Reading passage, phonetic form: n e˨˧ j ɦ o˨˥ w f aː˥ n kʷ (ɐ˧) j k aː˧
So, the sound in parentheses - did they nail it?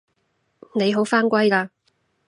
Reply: no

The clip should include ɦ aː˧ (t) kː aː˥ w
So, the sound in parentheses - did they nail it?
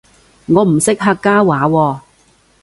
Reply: no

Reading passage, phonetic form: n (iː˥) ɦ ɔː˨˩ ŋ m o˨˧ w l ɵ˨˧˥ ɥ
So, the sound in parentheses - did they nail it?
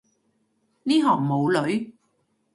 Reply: yes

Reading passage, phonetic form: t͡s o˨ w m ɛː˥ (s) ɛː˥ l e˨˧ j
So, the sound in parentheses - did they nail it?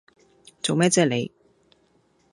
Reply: no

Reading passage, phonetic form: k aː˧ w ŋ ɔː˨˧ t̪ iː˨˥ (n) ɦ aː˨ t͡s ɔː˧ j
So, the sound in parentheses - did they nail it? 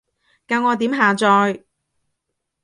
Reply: no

